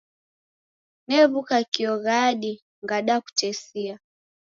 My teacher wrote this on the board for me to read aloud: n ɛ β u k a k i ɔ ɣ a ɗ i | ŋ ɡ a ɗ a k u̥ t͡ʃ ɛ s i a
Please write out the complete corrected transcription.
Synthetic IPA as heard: n ɛ β u k a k i ɔ ɣ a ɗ i | ŋ ɡ a ɗ a k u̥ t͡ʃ ɛ s i a